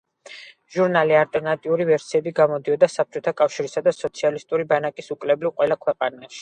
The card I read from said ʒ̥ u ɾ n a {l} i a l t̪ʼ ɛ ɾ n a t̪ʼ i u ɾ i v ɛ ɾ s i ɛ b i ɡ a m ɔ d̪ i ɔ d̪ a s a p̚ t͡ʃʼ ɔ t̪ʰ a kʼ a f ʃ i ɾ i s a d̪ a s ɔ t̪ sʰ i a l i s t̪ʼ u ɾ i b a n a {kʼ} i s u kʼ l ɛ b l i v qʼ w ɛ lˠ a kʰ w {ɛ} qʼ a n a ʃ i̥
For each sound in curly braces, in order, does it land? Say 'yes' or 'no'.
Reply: yes, yes, yes

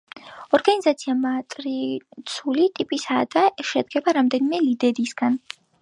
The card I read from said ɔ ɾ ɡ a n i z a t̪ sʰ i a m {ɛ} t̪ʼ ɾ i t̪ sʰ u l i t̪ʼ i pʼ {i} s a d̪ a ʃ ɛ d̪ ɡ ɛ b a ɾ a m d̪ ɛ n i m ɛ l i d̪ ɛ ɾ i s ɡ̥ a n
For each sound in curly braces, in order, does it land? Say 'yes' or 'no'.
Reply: no, yes

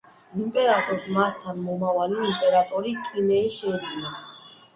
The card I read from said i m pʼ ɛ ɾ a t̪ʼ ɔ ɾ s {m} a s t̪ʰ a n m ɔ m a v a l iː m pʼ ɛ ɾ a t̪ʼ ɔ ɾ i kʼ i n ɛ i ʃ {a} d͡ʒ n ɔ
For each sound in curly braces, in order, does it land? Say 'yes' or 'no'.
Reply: yes, no

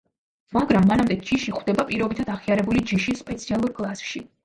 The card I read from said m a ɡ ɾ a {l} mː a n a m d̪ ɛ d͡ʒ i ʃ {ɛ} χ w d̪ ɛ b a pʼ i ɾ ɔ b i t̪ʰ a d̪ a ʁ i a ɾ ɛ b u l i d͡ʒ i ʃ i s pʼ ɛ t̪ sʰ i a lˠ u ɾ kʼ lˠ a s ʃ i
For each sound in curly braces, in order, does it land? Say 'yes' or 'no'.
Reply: no, no

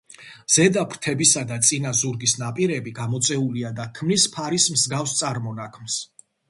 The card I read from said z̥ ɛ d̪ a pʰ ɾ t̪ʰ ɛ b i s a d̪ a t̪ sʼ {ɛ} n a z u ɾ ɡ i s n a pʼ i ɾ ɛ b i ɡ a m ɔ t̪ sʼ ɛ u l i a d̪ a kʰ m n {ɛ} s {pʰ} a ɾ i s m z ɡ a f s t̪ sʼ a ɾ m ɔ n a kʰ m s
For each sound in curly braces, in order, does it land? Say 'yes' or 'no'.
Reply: no, no, yes

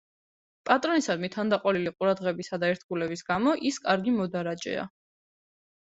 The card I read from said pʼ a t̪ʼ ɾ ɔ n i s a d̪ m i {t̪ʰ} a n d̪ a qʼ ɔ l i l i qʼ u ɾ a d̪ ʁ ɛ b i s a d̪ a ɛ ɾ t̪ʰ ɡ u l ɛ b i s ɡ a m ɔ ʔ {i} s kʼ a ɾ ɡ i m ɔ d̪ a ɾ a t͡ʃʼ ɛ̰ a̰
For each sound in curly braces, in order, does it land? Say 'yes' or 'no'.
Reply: yes, yes

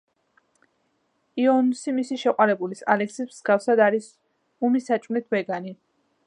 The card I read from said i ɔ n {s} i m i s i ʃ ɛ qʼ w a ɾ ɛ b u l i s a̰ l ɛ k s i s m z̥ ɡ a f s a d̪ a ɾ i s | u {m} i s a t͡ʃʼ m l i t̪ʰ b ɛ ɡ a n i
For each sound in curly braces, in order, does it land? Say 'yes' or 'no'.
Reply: yes, yes

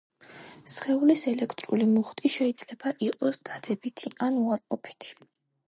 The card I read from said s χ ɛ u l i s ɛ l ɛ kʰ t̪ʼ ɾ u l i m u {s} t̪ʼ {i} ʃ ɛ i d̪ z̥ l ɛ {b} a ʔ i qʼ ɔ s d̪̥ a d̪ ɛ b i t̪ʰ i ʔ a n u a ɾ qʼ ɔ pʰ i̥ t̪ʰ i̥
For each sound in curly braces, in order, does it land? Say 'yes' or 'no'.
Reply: no, yes, yes

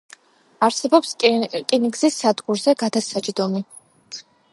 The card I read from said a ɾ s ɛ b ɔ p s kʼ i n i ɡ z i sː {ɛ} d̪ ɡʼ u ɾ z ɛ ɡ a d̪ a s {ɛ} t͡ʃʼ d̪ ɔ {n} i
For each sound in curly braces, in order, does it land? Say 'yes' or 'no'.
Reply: no, no, no

